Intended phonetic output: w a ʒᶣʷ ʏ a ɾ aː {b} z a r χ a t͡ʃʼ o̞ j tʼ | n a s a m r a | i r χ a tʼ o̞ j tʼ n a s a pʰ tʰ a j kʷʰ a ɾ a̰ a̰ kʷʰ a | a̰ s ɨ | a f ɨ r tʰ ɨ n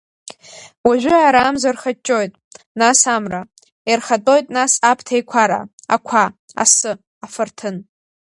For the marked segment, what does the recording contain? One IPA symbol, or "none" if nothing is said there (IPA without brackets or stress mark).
m